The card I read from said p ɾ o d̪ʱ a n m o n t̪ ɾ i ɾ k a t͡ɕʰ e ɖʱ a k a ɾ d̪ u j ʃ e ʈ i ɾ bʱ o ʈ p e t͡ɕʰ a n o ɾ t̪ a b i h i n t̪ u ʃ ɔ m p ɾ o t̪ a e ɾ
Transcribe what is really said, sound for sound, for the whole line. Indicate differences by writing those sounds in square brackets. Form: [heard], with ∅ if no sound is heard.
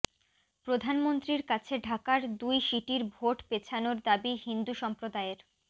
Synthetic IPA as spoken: p ɾ o d̪ʱ a n m o n t̪ ɾ i ɾ k a t͡ɕʰ e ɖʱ a k a ɾ d̪ u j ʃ [i] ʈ i ɾ bʱ o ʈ p e t͡ɕʰ a n o ɾ [d̪] a b i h i n [d̪] u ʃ ɔ m p ɾ o [d̪] a e ɾ